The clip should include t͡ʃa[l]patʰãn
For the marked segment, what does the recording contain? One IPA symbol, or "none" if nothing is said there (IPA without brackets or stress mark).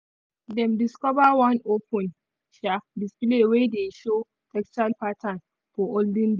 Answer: l